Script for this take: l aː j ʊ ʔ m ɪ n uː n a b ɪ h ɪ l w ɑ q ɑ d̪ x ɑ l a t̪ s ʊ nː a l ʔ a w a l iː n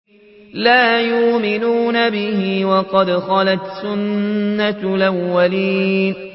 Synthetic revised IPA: l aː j ʊ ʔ m ɪ n uː n a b ɪ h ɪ w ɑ q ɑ d̪ x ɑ l a t̪ s ʊ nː a l ʔ a wː a l iː n